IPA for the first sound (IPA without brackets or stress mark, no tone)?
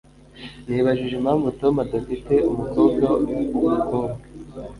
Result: n